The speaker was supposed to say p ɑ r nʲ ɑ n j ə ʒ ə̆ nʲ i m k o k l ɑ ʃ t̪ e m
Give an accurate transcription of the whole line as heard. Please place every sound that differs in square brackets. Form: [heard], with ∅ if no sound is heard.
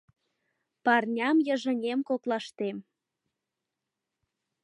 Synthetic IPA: p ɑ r nʲ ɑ [m] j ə ʒ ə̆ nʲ [e] m k o k l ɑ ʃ t̪ e m